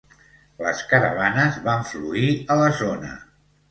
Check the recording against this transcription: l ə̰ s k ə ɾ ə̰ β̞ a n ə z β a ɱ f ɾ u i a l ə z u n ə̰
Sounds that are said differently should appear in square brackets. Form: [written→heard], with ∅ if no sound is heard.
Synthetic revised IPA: l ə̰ s k ə ɾ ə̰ β̞ a n ə z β a ɱ f [ɾ→l] u i [a→ə] l ə z [u→o] n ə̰